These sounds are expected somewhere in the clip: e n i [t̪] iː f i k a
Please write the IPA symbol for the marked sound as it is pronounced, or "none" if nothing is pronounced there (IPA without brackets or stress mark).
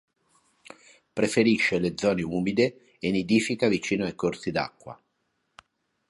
d̪